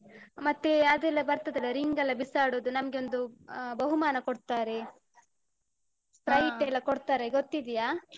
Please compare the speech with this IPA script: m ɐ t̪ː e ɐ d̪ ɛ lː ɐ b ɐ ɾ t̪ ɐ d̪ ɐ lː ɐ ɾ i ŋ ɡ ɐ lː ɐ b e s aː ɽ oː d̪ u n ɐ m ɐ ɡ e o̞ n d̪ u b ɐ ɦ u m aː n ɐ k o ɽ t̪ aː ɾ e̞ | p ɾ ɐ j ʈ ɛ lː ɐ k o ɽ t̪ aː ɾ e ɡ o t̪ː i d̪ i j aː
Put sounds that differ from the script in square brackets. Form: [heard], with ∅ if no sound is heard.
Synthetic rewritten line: m ɐ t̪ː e ɐ d̪ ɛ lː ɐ b ɐ ɾ t̪ ɐ d̪ ɐ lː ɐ ɾ i ŋ ɡ ɐ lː ɐ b [i] s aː ɽ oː d̪ u n ɐ m ɐ ɡ e o̞ n d̪ u b ɐ ɦ u m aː n ɐ k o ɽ t̪ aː ɾ e̞ | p ɾ ɐ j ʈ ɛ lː ɐ k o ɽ t̪ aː ɾ e ɡ o t̪ː i d̪ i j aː

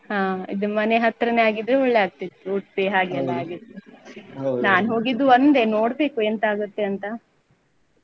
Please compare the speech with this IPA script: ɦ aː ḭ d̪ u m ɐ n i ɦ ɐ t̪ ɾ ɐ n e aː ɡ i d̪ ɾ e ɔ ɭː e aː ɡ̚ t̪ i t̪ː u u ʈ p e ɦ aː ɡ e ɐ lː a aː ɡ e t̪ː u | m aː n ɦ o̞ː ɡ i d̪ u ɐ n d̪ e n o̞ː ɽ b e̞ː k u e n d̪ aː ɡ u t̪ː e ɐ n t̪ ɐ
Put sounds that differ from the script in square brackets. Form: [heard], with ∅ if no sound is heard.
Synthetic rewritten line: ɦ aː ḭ d̪ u m ɐ n [e] ɦ ɐ t̪ ɾ ɐ n e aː ɡ i d̪ ɾ e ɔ ɭː e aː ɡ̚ t̪ i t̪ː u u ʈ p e ɦ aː ɡ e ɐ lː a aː ɡ [i] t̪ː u | [n] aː n ɦ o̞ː ɡ i d̪ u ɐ n d̪ e n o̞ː ɽ b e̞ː k u e n [t̪] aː ɡ u t̪ː e ɐ n t̪ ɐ

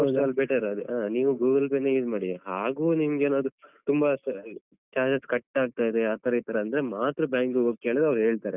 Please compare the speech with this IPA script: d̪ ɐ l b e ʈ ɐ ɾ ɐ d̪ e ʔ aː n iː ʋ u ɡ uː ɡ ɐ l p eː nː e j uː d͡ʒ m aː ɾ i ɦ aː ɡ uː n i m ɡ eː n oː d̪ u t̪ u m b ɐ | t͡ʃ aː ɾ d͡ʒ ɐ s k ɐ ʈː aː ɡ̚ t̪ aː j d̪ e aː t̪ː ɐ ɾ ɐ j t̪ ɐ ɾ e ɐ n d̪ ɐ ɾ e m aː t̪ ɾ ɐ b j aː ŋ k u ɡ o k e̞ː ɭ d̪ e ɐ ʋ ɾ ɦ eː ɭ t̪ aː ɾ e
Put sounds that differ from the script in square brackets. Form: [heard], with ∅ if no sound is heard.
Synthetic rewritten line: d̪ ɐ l b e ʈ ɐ ɾ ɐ d̪ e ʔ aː n iː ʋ u ɡ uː ɡ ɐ l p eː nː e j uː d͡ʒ m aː [ɽ] i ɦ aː ɡ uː n i m ɡ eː n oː d̪ u t̪ u m b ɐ | t͡ʃ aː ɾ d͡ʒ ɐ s k ɐ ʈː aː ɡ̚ t̪ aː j d̪ e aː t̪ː ɐ ɾ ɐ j t̪ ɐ ɾ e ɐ n d̪ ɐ ɾ e m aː t̪ ɾ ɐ b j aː ŋ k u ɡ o k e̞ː ɭ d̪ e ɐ ʋ ɾ ɦ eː ɭ t̪ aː ɾ e

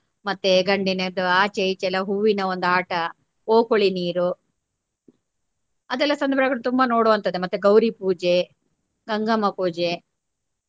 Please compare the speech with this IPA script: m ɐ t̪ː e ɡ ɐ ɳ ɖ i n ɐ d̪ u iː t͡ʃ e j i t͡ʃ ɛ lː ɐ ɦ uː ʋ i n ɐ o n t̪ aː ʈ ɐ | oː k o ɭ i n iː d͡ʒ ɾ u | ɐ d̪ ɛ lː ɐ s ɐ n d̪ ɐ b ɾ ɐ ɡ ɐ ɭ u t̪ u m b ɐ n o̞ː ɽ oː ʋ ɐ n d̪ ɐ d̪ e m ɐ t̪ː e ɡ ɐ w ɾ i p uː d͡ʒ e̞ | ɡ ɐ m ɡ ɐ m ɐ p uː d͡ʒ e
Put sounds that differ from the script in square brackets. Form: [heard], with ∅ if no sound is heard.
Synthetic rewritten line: m ɐ t̪ː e ɡ ɐ ɳ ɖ i n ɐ d̪ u [aː] t͡ʃ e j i t͡ʃ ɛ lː ɐ ɦ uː ʋ i n ɐ o n [d̪] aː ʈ ɐ | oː k o ɭ i n iː [∅] ɾ u | ɐ d̪ ɛ lː ɐ s ɐ n d̪ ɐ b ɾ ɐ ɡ ɐ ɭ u t̪ u m b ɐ n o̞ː ɽ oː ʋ ɐ n [t̪] ɐ d̪ e m ɐ t̪ː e ɡ ɐ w ɾ i p uː d͡ʒ e̞ | ɡ ɐ [ŋ] ɡ ɐ m ɐ p uː d͡ʒ e

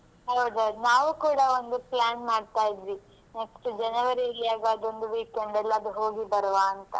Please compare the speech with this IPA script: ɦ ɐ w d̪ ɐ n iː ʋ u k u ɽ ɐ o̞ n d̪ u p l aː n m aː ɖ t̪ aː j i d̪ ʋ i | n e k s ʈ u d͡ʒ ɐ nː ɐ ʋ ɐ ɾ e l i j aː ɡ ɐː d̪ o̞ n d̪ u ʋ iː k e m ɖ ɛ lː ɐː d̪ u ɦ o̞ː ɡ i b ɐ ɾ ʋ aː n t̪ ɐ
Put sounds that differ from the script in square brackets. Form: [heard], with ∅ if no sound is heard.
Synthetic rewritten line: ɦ ɐ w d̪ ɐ n [aː] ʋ u k [uː] ɽ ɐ o̞ n d̪ u p l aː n m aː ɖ t̪ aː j i d̪ ʋ i | n e k s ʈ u d͡ʒ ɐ [n] ɐ ʋ ɐ ɾ [i] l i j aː ɡ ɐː d̪ o̞ n d̪ u ʋ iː k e [ɳ] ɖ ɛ lː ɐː d̪ u ɦ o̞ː ɡ i b ɐ ɾ ʋ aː n t̪ ɐ

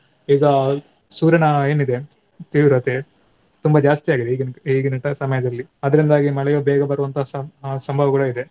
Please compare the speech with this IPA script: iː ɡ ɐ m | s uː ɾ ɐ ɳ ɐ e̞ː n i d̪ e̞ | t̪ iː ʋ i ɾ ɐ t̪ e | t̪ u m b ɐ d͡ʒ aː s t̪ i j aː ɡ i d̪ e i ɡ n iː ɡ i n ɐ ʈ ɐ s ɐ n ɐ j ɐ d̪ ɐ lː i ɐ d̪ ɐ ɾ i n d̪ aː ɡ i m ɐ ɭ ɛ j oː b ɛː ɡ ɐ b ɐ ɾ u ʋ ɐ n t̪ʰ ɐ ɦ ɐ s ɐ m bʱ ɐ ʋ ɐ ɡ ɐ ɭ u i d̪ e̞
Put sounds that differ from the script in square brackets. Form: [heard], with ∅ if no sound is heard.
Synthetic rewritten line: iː ɡ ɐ [∅] | s uː ɾ ɐ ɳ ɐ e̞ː n i d̪ e̞ | t̪ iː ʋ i ɾ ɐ t̪ e | t̪ u m b ɐ d͡ʒ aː s t̪ i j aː ɡ i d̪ e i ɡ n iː ɡ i n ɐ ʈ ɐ s ɐ [m] ɐ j ɐ d̪ ɐ lː i ɐ d̪ ɐ ɾ i n d̪ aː ɡ i m ɐ ɭ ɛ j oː b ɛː ɡ ɐ b ɐ ɾ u ʋ ɐ n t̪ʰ ɐ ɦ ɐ s ɐ m bʱ ɐ ʋ ɐ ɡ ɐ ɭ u i d̪ e̞

